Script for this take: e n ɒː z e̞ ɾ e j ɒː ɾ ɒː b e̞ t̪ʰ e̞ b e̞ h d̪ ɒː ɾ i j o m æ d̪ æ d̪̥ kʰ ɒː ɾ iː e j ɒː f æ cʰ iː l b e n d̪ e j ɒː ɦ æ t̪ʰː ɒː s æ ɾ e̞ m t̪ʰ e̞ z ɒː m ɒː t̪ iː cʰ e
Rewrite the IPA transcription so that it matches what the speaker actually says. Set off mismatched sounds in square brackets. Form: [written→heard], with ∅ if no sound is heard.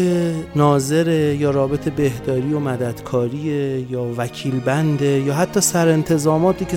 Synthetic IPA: e n ɒː z e̞ ɾ e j ɒː ɾ ɒː b e̞ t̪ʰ e̞ b e̞ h d̪ ɒː ɾ i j o m æ d̪ æ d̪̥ kʰ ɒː ɾ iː e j ɒː [f→v] æ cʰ iː l b [e→æ] n d̪ e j ɒː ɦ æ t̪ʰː ɒː s æ ɾ e̞ [m→n] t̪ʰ e̞ z ɒː m ɒː t̪ iː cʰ e